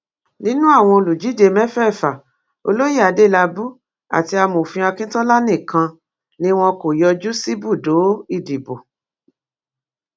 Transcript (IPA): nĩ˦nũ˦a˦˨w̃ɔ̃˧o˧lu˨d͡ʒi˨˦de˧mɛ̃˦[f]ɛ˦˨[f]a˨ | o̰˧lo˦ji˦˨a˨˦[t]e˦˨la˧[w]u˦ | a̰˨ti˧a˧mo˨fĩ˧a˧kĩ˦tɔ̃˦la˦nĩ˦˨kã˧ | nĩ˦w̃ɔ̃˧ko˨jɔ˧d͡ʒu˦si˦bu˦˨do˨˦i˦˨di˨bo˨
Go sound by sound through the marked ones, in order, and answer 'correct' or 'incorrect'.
correct, correct, incorrect: d, incorrect: b

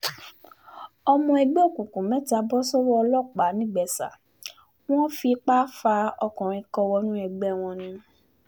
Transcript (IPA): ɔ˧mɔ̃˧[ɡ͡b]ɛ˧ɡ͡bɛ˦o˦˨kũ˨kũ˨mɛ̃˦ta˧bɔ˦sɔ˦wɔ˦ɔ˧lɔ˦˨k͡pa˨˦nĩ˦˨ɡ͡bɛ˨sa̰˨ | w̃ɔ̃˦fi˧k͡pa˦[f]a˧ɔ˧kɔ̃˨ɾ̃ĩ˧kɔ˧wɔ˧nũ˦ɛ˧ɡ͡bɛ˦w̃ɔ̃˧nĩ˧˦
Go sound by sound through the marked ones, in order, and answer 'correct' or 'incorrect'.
incorrect: none, correct

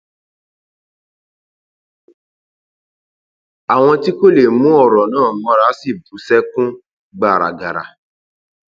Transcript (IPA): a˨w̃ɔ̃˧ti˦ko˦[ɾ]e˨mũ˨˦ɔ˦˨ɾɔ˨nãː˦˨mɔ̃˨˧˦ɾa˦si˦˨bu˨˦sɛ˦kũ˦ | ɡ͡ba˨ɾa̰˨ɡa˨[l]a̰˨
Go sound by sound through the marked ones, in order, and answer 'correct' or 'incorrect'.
incorrect: l, incorrect: ɾ

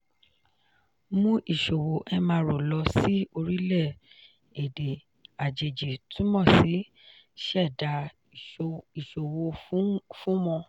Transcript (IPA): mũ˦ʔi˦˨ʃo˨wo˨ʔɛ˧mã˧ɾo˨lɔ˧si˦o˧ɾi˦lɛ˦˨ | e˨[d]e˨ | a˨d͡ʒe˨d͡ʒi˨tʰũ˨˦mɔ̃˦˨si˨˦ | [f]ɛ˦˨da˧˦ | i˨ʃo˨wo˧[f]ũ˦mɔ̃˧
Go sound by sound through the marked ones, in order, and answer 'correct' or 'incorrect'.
correct, incorrect: ʃ, correct

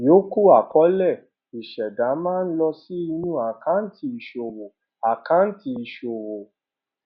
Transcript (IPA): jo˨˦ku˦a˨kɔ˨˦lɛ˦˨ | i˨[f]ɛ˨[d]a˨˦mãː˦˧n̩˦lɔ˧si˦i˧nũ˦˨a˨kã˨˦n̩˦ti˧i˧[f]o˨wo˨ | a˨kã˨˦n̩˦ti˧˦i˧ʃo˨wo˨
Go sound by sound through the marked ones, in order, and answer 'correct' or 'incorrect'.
incorrect: ʃ, correct, incorrect: ʃ

